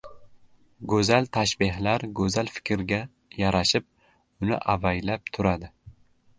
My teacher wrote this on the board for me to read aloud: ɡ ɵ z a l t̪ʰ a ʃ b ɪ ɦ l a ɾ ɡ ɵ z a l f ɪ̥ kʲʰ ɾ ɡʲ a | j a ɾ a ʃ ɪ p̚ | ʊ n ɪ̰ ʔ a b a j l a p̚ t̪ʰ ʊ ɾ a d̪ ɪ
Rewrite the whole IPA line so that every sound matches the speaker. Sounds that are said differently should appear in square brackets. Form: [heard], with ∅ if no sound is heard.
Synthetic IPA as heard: ɡ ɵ z a l t̪ʰ a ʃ b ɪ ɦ l a ɾ ɡ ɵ z a l f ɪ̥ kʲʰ ɾ ɡʲ a | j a ɾ a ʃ ɪ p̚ | ʊ n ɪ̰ ʔ a [v] a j l a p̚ t̪ʰ ʊ ɾ a d̪ ɪ

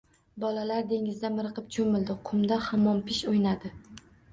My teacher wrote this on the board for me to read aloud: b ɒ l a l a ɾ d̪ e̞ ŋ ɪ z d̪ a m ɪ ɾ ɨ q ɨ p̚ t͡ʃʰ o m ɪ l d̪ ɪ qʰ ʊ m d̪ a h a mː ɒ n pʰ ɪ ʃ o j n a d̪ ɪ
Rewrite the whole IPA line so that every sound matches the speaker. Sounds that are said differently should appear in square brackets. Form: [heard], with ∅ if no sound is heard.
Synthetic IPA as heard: b ɒ l a l a ɾ d̪ e̞ ŋ ɪ z d̪ a m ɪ ɾ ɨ q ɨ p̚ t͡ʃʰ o m ɪ l d̪ ɪ qʰ ʊ m d̪ a h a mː ɒ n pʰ ɪ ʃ o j n a d̪ ɪ

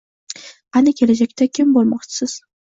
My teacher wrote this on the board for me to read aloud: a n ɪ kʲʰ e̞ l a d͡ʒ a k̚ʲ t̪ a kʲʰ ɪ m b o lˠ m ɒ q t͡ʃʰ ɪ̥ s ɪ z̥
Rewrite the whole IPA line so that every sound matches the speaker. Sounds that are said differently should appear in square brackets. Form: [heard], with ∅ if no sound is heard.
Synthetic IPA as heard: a n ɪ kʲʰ e̞ l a d͡ʒ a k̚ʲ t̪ a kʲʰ ɪ m b o lˠ m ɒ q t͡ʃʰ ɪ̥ s ɪ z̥

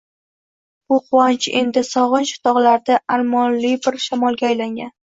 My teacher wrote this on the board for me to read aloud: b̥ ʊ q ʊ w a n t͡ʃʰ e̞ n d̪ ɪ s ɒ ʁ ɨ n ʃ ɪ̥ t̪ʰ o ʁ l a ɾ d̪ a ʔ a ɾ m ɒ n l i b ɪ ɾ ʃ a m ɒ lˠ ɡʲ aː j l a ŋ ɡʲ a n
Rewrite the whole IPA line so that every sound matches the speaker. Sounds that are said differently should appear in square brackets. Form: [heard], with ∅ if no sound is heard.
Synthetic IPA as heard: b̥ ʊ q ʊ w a n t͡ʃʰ e̞ n d̪ ɪ s ɒ ʁ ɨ n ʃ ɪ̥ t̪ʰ [ɒ] ʁ l a ɾ d̪ a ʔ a ɾ m ɒ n l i b ɪ ɾ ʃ a m ɒ lˠ ɡʲ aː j l a ŋ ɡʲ a n

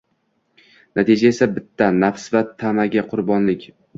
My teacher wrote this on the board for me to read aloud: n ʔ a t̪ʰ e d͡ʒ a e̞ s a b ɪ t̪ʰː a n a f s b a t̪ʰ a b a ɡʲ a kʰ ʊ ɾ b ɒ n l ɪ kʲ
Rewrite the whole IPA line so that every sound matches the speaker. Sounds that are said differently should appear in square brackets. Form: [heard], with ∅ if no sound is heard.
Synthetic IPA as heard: n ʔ a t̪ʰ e d͡ʒ a e̞ s a b ɪ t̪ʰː a n a f s [v] a t̪ʰ a [m] a ɡʲ a [qʰ] ʊ ɾ b ɒ n l ɪ kʲ

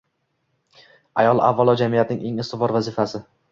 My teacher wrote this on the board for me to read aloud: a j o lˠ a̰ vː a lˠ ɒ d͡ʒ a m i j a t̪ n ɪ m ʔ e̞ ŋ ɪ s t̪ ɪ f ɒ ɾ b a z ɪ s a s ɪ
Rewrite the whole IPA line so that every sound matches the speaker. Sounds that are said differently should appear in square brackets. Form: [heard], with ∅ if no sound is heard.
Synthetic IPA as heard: a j [ɒ] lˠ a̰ vː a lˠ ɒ d͡ʒ a m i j a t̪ n ɪ [ŋ] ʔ e̞ ŋ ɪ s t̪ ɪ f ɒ ɾ [v] a z ɪ [f] a s ɪ

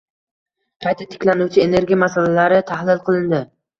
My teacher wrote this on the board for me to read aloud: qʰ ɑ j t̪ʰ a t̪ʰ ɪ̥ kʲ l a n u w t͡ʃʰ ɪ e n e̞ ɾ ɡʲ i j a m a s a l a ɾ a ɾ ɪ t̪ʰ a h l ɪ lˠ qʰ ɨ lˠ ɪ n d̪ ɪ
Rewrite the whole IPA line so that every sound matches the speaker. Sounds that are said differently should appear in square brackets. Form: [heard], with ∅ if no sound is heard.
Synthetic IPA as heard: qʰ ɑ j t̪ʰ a t̪ʰ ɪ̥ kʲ l a n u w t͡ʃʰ ɪ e n e̞ ɾ ɡʲ i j a m a s a l a [l] a ɾ ɪ t̪ʰ a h l ɪ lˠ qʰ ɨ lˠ ɪ n d̪ ɪ

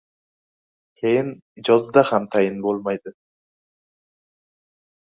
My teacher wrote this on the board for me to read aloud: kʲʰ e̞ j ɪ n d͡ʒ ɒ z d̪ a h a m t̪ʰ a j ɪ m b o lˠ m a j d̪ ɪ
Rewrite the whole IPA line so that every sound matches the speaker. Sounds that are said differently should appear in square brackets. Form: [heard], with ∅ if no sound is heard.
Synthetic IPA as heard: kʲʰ e̞ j ɪ n d͡ʒ ɒ z d̪ a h a m t̪ʰ a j ɪ [n] b o lˠ m a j d̪ ɪ

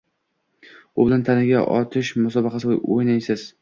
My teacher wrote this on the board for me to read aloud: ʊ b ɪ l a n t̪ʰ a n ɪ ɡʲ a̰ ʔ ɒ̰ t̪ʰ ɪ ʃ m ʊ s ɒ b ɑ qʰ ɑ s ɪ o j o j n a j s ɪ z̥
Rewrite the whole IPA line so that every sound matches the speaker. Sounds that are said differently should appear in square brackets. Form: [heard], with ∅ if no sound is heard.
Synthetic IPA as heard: ʊ b ɪ l a n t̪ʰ a n ɪ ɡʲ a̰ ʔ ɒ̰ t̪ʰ ɪ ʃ m ʊ s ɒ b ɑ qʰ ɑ s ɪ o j o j n a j s ɪ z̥

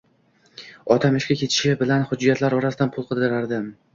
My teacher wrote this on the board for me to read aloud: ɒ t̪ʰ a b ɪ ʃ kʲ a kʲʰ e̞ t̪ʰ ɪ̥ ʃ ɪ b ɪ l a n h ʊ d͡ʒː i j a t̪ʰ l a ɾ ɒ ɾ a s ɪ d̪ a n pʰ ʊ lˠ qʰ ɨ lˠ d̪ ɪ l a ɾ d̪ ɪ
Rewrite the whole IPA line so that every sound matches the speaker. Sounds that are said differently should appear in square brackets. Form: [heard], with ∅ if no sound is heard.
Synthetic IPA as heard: ɒ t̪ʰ a [m] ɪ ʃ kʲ a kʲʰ e̞ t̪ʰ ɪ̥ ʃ ɪ b ɪ l a n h ʊ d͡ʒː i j a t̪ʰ l a ɾ ɒ ɾ a s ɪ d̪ a n pʰ ʊ lˠ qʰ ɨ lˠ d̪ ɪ [ɾ] a ɾ d̪ ɪ

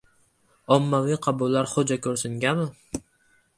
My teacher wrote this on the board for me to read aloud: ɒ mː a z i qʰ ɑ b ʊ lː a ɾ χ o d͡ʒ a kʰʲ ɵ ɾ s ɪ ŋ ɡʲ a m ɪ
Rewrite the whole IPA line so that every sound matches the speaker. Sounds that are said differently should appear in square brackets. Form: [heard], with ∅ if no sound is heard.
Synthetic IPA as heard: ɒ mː a [v] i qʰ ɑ b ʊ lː a ɾ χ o d͡ʒ a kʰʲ ɵ ɾ s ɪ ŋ ɡʲ a m ɪ

